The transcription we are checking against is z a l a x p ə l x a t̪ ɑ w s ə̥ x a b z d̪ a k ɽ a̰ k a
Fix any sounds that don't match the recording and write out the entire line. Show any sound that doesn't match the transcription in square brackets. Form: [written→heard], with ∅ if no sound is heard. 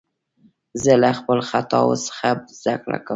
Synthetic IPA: z [a→ə] l a x p ə l x a t̪ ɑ w s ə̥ x a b z d̪ a k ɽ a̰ k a